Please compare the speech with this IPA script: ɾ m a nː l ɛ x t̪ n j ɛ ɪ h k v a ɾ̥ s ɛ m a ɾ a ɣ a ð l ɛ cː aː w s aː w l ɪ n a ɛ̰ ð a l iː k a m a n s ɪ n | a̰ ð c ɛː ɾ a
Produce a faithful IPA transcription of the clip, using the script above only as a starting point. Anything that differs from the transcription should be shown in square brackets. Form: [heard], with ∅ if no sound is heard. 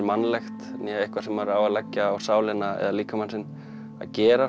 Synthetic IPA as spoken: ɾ m a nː l ɛ x t̪ n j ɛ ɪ h k v a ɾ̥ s ɛ m a ɾ a [w] a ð l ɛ cː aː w s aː w l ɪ n a ɛ̰ ð a l iː k a m a n s ɪ n | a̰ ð c ɛː ɾ a